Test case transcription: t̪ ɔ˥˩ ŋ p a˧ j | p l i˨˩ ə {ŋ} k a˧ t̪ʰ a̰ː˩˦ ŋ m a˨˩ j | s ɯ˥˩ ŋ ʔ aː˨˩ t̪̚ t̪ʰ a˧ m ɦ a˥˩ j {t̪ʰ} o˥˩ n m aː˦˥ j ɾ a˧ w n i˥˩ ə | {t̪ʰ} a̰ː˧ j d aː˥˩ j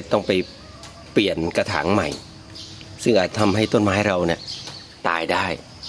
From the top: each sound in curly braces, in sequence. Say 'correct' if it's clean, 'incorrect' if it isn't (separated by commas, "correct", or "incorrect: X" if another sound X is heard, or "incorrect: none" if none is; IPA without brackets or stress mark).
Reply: incorrect: n, incorrect: t̪, incorrect: t̪